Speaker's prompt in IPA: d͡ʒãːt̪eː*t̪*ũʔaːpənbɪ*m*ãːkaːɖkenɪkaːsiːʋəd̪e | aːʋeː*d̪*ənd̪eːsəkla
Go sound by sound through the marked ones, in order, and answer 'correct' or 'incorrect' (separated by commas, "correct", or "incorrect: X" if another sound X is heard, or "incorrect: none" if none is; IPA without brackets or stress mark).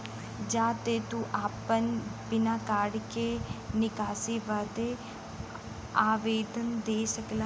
correct, incorrect: n, correct